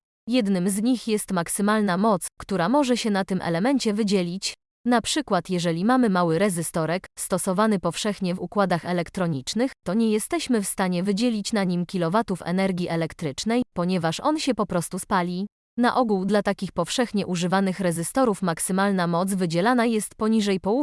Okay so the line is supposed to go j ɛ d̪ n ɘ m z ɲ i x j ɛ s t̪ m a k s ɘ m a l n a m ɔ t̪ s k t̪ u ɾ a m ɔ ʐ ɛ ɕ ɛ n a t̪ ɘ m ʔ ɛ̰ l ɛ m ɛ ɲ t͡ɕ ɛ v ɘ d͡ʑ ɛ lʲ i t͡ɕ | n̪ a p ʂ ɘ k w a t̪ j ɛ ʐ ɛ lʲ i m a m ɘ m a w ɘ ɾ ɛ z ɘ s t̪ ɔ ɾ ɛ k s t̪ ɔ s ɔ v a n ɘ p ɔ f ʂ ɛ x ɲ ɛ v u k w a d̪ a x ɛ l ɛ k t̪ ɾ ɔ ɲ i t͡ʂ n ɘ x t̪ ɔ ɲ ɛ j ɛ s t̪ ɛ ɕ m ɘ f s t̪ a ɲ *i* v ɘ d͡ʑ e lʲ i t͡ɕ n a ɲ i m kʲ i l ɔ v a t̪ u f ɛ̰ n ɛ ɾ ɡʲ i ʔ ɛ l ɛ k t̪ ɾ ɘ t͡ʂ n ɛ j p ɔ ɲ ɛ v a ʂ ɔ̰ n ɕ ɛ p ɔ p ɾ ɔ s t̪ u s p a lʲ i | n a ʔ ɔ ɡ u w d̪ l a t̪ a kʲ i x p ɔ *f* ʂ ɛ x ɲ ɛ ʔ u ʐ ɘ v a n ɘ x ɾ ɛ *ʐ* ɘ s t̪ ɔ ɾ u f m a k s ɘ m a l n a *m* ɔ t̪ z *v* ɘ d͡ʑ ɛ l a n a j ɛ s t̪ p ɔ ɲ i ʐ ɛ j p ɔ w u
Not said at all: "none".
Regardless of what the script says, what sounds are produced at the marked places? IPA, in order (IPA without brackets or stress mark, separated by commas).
ɛ, f, z, m, v